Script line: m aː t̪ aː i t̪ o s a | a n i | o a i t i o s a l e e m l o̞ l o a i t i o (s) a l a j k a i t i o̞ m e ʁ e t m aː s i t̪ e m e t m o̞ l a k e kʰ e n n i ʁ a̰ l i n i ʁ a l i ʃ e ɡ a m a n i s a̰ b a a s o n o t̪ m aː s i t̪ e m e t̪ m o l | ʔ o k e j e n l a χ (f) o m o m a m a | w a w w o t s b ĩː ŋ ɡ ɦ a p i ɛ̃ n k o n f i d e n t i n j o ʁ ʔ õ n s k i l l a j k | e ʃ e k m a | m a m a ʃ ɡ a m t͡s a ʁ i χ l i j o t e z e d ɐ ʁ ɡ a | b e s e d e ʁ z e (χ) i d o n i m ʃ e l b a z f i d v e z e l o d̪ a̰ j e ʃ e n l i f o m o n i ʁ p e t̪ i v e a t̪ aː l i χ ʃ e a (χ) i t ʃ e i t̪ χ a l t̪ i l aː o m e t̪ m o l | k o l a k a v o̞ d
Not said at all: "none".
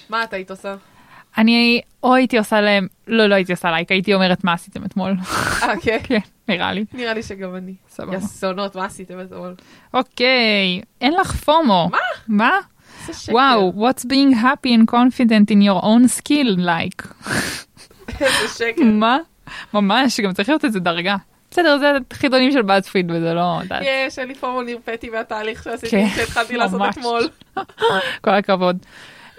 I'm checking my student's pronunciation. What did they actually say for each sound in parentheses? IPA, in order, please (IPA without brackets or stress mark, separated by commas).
s, f, χ, s